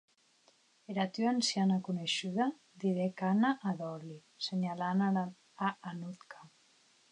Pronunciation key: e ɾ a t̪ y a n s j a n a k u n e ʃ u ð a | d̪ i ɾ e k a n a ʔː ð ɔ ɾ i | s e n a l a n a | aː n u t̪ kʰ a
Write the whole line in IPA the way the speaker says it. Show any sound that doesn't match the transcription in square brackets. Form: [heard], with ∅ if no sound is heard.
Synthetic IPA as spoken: e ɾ a t̪ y a n s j a n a k u n e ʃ u ð a | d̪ i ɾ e k a n a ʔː ð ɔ [l] i | s e [ɲ] a l a n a | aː n u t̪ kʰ a